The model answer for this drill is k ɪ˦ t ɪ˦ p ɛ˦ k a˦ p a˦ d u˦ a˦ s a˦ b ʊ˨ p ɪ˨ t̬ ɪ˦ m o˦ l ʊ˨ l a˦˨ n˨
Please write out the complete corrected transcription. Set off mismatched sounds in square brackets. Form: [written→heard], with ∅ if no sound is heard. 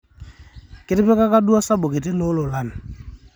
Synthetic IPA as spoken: k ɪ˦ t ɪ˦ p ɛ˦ k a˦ [p→k] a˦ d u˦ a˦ s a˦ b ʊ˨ [p→k] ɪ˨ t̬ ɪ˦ [m→n] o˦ l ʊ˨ l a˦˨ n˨